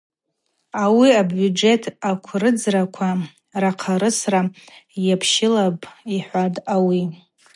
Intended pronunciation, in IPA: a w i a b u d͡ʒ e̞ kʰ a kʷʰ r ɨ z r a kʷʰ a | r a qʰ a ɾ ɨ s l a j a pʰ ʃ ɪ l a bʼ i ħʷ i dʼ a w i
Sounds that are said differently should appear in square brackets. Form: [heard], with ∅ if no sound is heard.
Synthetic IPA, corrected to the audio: a w i a b u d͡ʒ e̞ [tʰ] a kʷʰ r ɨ [d͡z] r a kʷʰ a | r a qʰ a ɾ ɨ s [r] a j a pʰ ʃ ɪ l a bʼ i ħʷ [a] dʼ a w i

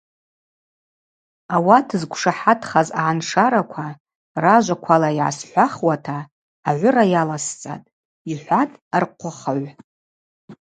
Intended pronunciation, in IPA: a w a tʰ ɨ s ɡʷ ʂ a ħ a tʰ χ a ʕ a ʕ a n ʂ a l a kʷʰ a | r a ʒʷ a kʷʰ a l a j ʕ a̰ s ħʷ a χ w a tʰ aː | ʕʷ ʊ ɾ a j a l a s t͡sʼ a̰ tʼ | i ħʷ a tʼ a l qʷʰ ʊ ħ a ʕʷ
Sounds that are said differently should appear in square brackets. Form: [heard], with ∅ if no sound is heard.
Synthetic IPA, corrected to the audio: a w a tʰ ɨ [z] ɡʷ ʂ a ħ a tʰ χ a [z] a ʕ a n ʂ a [ɾ] a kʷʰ a | r a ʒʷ a kʷʰ a l a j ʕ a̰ s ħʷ a χ w a tʰ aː | ʕʷ ʊ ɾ a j a l a s t͡sʼ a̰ tʼ | i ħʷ a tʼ a [r] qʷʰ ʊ [χ] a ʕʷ

